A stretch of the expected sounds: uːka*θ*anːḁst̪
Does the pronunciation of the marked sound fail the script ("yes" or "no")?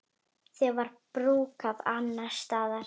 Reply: yes